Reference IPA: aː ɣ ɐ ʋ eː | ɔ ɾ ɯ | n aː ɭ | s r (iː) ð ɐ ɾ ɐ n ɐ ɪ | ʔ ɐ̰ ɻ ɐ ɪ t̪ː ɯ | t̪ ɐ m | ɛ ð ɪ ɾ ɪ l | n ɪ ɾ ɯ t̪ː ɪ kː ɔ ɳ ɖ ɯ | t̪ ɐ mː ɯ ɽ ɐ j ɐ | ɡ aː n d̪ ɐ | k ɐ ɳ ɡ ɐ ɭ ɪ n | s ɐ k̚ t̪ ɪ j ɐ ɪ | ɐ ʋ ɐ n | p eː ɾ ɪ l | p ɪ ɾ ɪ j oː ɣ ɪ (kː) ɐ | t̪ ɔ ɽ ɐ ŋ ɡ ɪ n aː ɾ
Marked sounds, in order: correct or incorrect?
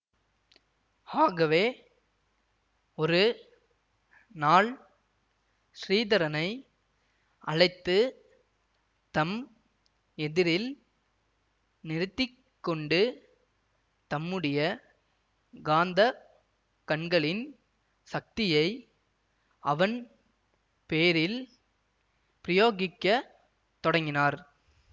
correct, correct

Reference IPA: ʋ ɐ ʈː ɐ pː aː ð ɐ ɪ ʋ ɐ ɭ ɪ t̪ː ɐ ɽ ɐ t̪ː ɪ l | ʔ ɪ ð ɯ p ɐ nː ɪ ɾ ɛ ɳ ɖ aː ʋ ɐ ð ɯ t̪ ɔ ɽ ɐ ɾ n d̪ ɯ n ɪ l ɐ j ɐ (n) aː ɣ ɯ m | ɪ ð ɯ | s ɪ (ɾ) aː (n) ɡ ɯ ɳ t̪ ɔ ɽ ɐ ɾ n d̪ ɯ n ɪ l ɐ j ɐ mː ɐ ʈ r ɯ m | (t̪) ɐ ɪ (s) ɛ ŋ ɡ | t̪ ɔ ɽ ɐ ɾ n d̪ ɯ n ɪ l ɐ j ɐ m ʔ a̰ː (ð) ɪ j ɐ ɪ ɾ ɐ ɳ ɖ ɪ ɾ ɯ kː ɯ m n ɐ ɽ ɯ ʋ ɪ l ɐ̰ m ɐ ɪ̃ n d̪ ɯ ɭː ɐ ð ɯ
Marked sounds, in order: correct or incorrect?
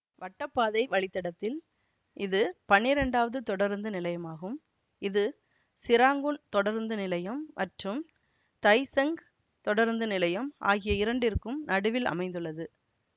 incorrect: m, correct, incorrect: ŋ, correct, correct, incorrect: ɣ

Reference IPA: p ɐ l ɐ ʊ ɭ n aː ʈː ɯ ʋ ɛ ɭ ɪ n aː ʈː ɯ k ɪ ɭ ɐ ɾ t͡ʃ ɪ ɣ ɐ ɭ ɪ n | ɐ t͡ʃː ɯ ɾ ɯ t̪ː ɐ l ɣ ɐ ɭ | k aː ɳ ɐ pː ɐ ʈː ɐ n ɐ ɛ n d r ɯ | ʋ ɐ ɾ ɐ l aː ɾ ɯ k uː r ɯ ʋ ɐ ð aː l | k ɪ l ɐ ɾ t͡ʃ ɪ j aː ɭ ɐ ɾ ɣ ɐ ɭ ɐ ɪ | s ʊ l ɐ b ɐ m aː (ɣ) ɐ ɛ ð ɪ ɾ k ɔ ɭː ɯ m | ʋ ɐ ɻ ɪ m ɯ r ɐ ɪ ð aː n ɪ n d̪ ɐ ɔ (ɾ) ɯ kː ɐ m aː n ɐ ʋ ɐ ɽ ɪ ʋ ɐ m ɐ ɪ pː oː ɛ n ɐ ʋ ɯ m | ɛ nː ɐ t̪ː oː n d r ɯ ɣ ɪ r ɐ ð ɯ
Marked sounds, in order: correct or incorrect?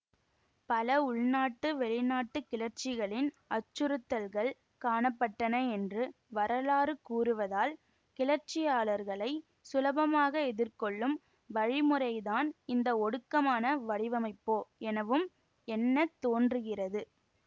correct, incorrect: ɽ

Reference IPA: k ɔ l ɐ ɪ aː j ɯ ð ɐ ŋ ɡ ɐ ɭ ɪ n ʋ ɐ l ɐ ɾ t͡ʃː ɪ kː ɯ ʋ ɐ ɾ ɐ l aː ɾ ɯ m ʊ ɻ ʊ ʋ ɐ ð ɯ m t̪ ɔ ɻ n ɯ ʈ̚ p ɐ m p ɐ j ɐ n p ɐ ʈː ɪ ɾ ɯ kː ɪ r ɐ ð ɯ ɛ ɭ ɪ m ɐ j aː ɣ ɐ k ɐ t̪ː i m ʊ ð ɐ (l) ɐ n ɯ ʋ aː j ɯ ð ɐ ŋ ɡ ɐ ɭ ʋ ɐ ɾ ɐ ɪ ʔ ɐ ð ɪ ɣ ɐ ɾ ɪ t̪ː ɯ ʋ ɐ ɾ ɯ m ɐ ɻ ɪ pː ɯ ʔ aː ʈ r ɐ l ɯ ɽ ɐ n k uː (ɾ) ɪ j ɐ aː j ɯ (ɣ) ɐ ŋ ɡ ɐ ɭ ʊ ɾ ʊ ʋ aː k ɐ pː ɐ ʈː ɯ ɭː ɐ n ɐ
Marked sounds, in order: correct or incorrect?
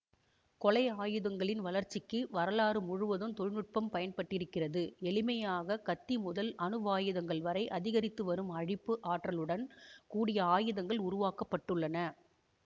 correct, incorrect: ɽ, incorrect: ð

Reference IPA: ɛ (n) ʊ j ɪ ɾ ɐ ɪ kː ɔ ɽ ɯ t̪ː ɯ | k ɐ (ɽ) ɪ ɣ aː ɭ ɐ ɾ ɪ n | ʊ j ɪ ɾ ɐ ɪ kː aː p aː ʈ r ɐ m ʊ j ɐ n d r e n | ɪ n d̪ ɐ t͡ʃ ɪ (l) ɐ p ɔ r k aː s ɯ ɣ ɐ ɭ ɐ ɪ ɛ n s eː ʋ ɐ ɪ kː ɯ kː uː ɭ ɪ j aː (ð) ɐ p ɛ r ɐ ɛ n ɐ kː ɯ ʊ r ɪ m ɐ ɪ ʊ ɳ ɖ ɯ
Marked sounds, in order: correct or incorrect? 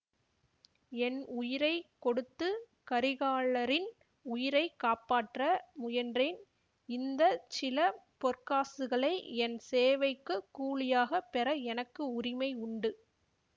correct, incorrect: ɾ, correct, incorrect: ɣ

